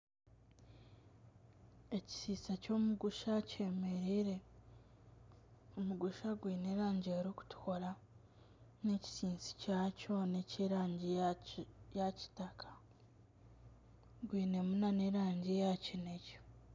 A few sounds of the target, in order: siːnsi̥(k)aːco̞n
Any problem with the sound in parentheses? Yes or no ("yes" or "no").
yes